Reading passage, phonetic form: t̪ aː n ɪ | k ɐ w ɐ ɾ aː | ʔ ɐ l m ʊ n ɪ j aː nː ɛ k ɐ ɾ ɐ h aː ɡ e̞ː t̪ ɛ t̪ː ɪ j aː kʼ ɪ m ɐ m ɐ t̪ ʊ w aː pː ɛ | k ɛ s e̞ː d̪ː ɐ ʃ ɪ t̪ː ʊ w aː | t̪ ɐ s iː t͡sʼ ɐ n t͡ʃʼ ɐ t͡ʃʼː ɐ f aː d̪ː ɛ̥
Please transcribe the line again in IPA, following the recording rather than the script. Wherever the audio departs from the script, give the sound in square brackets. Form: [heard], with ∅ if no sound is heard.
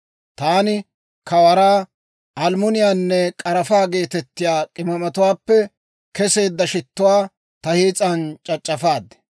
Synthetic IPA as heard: t̪ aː n ɪ | k ɐ w ɐ ɾ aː | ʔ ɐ l m ʊ n ɪ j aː nː ɛ [kʼ] ɐ ɾ ɐ [f] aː ɡ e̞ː t̪ ɛ t̪ː ɪ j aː kʼ ɪ m ɐ m ɐ t̪ ʊ w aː pː ɛ | k ɛ s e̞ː d̪ː ɐ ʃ ɪ t̪ː ʊ w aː | t̪ ɐ [h] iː t͡sʼ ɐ n t͡ʃʼ ɐ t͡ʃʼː ɐ f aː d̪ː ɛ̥